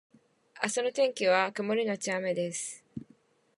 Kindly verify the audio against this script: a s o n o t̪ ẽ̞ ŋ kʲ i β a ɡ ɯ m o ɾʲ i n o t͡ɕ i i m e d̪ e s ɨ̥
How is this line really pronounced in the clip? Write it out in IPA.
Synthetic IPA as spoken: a s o n o t̪ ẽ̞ ŋ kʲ i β a k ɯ m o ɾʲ i n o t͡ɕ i a m e d̪ e s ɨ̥